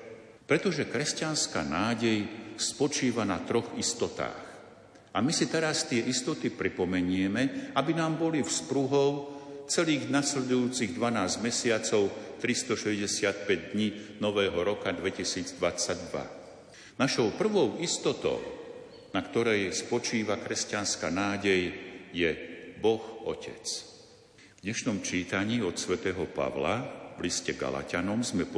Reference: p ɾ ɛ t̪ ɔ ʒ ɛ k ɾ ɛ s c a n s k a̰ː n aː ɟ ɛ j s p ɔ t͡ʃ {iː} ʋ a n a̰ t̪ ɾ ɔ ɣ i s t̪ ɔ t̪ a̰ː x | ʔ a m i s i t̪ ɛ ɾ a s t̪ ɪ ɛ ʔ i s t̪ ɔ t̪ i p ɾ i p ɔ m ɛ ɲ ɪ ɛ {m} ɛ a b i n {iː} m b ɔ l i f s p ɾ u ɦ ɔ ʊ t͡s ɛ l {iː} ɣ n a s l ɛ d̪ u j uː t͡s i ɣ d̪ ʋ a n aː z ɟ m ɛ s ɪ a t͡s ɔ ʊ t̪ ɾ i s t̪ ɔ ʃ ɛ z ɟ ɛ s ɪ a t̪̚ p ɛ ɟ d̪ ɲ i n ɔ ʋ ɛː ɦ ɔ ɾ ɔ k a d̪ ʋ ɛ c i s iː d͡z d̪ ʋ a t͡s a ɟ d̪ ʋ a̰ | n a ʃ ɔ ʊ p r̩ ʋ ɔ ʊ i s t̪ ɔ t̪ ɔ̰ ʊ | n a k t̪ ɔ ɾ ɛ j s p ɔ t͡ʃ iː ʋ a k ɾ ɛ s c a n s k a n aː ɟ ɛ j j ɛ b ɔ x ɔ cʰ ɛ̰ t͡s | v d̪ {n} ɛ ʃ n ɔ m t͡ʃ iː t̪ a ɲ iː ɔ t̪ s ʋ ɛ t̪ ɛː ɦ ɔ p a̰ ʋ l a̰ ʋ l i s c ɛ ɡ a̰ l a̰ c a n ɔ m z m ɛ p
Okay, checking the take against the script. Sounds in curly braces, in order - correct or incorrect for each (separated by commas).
correct, correct, incorrect, correct, incorrect